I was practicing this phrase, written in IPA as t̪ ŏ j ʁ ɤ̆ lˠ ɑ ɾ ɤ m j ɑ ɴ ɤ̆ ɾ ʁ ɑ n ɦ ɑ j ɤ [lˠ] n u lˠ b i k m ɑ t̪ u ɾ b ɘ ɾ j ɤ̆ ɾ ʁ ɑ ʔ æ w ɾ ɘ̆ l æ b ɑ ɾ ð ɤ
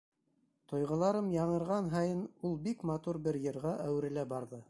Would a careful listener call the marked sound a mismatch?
yes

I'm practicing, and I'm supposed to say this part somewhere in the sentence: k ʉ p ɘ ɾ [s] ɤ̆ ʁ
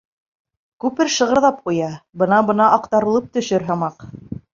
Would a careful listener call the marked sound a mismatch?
yes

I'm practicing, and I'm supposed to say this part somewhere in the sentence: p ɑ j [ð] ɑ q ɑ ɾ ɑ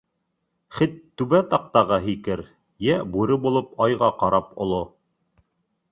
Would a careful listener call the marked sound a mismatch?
yes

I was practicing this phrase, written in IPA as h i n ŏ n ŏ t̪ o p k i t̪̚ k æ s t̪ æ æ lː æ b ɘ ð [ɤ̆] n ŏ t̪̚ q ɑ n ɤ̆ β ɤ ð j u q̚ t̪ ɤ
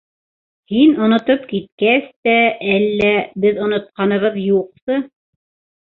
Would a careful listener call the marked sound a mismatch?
yes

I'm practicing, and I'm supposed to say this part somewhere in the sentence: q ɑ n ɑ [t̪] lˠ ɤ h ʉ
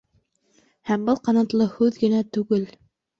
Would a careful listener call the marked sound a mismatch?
no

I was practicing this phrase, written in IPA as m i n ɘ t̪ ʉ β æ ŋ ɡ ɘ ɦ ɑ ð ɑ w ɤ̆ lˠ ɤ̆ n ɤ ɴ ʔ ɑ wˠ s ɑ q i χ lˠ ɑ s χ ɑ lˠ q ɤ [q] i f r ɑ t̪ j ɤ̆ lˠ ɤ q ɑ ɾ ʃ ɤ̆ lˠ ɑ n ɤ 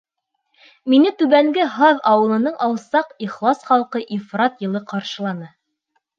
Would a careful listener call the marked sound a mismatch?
yes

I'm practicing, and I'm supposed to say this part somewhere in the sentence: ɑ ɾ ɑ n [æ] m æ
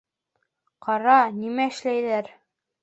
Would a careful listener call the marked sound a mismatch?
yes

